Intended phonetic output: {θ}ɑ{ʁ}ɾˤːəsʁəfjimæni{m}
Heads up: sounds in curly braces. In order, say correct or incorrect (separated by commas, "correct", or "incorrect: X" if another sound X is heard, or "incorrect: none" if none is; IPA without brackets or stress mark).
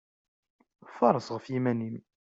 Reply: incorrect: f, incorrect: none, correct